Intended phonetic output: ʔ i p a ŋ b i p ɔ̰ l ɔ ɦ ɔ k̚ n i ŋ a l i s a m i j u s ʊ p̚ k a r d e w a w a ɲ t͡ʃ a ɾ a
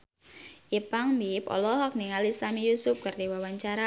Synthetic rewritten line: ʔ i p a ŋ m i p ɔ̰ l ɔ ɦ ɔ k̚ n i ŋ a l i s a m i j u s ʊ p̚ k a r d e w a w a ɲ t͡ʃ a ɾ a